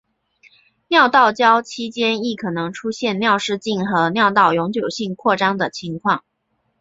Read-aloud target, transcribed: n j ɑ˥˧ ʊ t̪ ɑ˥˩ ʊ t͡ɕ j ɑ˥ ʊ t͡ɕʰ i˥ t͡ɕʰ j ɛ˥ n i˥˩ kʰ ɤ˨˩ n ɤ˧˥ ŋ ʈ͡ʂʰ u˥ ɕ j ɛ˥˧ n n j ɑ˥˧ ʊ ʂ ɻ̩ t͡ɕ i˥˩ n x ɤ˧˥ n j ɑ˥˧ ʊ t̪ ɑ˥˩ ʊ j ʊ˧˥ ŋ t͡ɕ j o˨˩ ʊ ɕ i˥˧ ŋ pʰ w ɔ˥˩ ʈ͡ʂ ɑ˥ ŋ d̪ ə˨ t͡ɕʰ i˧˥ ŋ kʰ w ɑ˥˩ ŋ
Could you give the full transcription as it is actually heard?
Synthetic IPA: n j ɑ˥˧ ʊ t̪ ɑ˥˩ ʊ t͡ɕ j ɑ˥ ʊ t͡ɕʰ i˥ t͡ɕ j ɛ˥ n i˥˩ kʰ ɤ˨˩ n ɤ˧˥ ŋ ʈ͡ʂʰ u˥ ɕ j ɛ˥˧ n n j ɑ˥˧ ʊ ʂ ɻ̩ t͡ɕ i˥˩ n x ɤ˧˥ n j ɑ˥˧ ʊ t̪ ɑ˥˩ ʊ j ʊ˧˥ ŋ t͡ɕ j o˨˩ ʊ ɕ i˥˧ ŋ kʰ w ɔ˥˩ ʈ͡ʂ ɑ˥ ŋ d̪ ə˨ t͡ɕʰ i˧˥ ŋ kʰ w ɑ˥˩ ŋ